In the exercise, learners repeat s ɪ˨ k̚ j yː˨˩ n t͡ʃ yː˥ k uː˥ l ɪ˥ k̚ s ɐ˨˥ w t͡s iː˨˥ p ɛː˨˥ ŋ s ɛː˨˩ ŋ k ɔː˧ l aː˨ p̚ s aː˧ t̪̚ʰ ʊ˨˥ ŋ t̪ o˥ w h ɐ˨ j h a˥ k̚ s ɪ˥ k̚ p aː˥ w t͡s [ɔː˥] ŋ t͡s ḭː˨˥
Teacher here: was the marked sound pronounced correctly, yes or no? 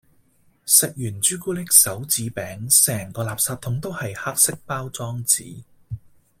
yes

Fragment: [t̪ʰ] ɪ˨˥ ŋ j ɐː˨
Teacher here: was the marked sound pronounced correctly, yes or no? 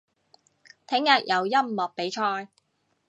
yes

